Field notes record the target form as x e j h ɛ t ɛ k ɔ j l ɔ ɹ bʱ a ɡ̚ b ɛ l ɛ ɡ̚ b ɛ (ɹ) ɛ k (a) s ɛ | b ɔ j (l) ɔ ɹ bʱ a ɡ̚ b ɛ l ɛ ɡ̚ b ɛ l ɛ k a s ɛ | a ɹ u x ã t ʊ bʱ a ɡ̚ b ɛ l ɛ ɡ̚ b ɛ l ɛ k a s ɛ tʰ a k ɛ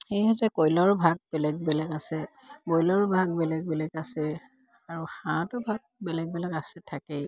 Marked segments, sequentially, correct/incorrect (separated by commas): incorrect, correct, correct